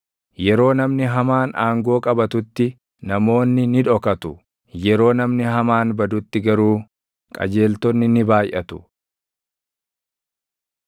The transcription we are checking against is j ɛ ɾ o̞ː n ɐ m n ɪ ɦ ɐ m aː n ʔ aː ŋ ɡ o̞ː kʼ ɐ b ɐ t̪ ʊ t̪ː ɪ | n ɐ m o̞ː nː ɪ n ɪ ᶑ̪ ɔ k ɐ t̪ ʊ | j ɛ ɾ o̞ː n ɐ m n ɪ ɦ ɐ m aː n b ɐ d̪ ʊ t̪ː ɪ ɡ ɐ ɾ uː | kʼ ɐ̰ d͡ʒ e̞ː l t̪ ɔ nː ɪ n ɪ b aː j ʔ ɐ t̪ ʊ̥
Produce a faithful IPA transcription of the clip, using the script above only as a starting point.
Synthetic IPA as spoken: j ɛ ɾ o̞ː n ɐ m n ɪ ɦ ɐ m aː n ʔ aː ŋ ɡ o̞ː kʼ ɐ b ɐ t̪ ʊ t̪ː ɪ | n ɐ m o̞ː nː ɪ n ɪ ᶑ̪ ɔ k ɐ t̪ ʊ | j ɛ ɾ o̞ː n ɐ m n ɪ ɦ ɐ m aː n b ɐ d̪ ʊ t̪ː ɪ ɡ ɐ ɾ uː | kʼ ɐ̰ d͡ʒ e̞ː l t̪ ɔ nː ɪ n ɪ b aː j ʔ ɐ t̪ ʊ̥